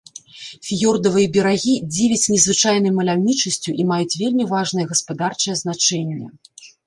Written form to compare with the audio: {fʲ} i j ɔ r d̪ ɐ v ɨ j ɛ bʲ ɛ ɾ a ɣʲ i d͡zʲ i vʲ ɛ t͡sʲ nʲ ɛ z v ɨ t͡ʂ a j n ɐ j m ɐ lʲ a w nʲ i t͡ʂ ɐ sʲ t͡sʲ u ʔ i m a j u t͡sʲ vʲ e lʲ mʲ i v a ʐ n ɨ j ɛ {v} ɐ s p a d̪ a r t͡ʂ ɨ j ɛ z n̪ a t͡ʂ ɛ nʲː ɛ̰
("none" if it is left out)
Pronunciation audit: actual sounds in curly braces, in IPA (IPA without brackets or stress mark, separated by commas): fʲ, ɣ